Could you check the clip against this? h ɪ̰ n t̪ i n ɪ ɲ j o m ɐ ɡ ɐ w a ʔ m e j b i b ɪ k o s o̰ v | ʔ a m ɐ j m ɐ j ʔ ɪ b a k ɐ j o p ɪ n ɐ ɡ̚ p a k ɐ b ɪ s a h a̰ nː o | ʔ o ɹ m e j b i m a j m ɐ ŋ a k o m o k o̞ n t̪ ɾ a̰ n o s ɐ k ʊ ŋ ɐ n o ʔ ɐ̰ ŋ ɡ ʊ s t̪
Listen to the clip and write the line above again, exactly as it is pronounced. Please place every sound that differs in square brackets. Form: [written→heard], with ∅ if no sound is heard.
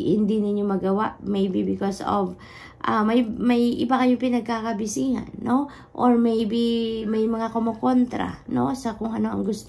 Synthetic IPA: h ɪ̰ n [t̪→d̪] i n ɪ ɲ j o m ɐ ɡ ɐ w a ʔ m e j b i b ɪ k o s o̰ v | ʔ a m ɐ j m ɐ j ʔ ɪ b a k ɐ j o p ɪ n ɐ ɡ̚ [p→k] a k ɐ b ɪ s [a→i] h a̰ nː o | ʔ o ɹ m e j b i m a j m ɐ ŋ a k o m o k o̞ n t̪ ɾ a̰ n o s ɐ k ʊ ŋ ɐ n o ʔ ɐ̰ ŋ ɡ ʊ s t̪